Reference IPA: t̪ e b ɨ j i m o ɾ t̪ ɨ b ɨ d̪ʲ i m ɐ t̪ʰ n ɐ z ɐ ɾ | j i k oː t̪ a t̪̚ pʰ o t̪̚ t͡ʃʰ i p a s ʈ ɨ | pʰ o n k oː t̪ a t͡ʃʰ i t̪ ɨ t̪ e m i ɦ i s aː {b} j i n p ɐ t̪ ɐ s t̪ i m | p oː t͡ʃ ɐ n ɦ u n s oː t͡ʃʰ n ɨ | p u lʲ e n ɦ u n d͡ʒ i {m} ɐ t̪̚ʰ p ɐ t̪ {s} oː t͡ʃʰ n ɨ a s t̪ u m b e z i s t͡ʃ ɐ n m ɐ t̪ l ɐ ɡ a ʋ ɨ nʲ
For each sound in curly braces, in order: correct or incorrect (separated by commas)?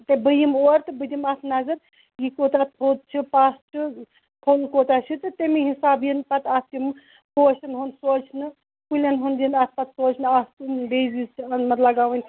correct, incorrect, correct